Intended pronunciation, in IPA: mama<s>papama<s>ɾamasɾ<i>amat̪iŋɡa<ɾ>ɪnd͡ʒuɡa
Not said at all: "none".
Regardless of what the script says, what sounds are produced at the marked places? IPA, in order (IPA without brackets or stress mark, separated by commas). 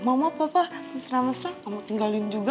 none, s, a, l